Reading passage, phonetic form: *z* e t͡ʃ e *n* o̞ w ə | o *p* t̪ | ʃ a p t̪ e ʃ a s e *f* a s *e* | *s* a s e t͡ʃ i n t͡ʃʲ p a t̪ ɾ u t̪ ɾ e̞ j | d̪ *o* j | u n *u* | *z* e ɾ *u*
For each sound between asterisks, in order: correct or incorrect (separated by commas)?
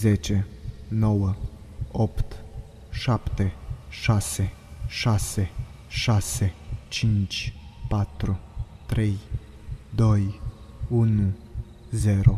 correct, correct, correct, incorrect, correct, incorrect, correct, correct, correct, incorrect